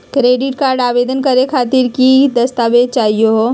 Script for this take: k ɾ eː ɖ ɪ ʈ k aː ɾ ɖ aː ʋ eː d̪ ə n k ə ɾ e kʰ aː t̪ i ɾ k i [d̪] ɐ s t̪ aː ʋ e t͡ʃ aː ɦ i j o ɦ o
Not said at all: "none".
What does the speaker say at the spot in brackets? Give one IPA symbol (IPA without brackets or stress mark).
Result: d̪